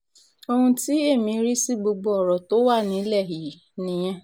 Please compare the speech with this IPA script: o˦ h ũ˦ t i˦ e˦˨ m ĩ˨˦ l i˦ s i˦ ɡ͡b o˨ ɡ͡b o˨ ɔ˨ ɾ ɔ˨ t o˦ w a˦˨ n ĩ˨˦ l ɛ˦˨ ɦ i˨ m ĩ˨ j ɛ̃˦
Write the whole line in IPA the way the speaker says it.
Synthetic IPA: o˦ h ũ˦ t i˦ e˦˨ m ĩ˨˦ ɾ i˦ s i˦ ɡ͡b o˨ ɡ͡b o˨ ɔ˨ ɾ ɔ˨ t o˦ w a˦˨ n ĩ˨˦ l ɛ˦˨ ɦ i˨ n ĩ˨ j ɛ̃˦